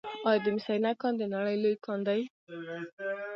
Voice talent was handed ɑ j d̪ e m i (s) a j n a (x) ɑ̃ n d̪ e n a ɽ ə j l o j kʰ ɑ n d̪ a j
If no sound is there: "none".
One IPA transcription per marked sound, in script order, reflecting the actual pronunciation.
s, k

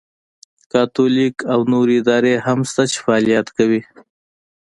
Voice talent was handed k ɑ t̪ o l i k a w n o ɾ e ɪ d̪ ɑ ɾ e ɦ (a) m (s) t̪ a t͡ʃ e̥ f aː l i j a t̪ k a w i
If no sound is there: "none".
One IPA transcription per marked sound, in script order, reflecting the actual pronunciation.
a, s

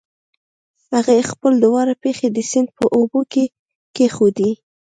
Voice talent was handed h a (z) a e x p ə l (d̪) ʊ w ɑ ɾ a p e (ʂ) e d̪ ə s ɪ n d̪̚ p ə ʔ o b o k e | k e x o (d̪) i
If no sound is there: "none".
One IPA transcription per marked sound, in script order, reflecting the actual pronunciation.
ɣ, d̪, x, d̪

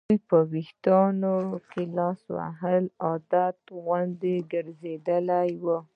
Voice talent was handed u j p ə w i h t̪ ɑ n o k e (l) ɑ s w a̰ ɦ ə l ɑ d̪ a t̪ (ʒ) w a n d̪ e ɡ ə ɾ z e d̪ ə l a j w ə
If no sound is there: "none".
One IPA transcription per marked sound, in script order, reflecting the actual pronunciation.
l, ɣ

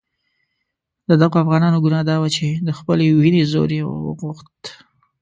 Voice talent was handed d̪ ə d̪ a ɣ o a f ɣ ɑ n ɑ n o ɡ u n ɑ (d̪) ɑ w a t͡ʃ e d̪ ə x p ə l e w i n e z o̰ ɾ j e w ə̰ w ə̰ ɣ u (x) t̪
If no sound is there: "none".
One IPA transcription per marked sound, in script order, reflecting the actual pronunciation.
d̪, x

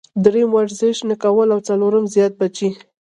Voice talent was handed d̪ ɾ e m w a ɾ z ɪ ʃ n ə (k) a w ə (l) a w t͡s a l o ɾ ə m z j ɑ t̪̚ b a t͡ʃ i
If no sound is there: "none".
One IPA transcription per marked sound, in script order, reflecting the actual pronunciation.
k, l

